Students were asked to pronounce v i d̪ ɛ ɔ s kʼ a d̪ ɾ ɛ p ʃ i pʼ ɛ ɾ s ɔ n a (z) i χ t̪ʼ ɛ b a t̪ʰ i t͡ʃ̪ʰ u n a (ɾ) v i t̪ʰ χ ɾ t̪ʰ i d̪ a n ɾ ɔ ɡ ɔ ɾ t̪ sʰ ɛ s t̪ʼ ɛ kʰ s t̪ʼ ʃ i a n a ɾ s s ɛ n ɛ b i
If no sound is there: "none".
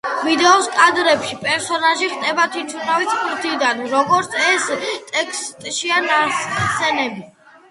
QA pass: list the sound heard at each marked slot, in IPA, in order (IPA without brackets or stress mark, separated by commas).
ʒ, none